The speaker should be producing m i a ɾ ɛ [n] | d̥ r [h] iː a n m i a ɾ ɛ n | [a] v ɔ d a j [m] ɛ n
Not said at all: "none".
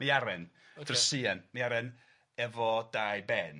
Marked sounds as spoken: n, s, ɛ, b

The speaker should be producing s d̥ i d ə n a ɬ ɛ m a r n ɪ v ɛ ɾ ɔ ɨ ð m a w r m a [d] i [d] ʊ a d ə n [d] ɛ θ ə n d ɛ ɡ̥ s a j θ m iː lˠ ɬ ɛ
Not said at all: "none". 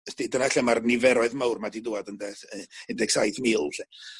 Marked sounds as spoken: d, d, d

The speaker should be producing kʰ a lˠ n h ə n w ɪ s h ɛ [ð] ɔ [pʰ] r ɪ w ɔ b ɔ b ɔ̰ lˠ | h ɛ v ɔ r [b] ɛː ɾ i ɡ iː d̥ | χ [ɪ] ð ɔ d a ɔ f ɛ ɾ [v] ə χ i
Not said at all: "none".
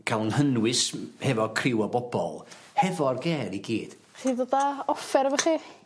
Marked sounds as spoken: v, kʰ, ɡ, i, v

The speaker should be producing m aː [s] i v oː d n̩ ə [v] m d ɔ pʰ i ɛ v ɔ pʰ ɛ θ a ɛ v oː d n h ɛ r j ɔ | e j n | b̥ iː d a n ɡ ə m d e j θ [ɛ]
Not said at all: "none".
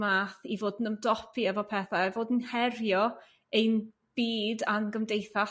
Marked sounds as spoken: θ, none, a

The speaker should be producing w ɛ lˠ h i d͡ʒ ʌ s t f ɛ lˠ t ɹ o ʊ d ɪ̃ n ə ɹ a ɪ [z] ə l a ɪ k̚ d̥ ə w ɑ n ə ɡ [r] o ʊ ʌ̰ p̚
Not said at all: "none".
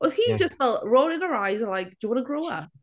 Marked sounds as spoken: z, ɹ

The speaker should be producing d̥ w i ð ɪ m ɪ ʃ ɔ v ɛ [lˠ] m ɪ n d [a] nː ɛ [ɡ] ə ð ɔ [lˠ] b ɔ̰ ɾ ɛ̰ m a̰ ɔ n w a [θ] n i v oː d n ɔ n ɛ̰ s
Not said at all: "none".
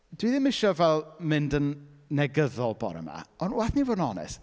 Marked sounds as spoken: lˠ, ə, ɡ, lˠ, θ

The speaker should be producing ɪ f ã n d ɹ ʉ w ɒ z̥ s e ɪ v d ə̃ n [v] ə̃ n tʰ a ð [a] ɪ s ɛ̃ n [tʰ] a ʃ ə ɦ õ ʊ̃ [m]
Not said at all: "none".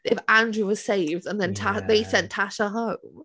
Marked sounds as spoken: ð, e, tʰ, m

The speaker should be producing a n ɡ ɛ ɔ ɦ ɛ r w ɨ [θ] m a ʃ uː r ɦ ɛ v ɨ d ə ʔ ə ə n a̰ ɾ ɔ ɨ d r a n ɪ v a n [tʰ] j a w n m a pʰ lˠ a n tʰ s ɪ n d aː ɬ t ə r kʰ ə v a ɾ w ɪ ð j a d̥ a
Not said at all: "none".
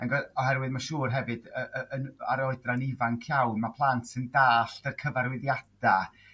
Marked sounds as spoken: ð, kʰ

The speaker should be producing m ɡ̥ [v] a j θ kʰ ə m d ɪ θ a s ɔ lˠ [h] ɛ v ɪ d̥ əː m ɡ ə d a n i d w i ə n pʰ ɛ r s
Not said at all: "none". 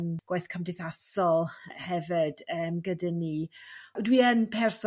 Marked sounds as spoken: w, h

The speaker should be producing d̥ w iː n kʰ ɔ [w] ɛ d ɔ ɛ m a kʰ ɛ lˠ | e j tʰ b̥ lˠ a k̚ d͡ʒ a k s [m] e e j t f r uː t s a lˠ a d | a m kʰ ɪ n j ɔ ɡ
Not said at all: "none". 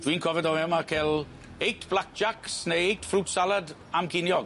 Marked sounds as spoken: v, n

